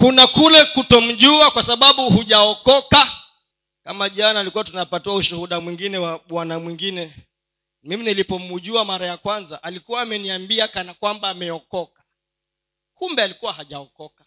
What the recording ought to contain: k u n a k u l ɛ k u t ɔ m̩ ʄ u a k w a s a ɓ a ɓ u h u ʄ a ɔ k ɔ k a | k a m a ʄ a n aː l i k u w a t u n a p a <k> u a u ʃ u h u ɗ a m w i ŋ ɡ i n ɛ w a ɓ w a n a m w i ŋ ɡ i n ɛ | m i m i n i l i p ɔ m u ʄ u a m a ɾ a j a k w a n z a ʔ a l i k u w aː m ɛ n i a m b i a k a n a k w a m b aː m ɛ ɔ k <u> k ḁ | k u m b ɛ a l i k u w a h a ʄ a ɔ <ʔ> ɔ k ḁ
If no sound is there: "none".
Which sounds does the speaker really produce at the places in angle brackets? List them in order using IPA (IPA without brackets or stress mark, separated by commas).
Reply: t, ɔ, k